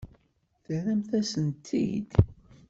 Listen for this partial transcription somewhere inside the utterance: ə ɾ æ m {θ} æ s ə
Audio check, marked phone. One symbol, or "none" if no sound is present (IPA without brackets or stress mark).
θ